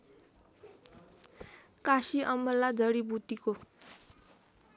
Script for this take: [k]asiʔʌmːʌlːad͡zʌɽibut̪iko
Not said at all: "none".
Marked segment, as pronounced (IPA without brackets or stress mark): k